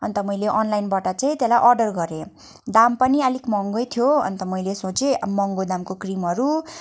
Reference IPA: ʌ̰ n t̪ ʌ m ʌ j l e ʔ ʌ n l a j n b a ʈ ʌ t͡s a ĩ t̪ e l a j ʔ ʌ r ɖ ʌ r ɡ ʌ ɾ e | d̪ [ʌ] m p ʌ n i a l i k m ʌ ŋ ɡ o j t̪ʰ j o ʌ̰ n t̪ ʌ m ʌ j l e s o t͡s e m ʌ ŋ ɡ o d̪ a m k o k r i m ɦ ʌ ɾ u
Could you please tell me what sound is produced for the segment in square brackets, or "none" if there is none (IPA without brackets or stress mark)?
a